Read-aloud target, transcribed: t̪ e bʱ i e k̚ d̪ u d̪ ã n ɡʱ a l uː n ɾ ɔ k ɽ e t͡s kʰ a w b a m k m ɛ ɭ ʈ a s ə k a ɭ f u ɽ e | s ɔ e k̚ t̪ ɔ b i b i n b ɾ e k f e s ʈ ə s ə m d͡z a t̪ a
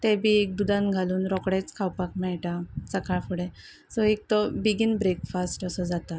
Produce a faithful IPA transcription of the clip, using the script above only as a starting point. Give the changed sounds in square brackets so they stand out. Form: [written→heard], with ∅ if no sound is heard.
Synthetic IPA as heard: t̪ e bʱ i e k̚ d̪ u d̪ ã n ɡʱ a l uː n ɾ ɔ k ɽ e t͡s kʰ a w [b→p] a [m→∅] k m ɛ ɭ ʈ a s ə k a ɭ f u ɽ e | s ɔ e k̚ t̪ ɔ b i [b→ɡ] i n b ɾ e k f [e→a] s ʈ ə s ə [m→∅] d͡z a t̪ a